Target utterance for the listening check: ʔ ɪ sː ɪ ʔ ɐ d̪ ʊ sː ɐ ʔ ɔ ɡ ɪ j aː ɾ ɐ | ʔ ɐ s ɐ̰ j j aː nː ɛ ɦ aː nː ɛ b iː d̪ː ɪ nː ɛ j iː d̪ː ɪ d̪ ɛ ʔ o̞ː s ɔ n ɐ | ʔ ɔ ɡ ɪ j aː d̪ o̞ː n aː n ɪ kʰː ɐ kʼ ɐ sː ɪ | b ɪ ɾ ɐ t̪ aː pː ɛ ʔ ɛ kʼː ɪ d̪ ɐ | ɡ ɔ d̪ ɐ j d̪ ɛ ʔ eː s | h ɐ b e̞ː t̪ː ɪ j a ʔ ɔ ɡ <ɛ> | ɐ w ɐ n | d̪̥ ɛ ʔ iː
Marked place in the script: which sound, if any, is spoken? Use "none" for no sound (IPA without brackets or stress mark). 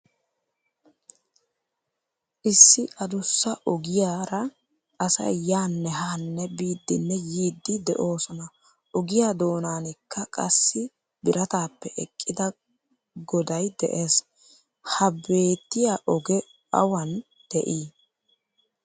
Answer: ɛ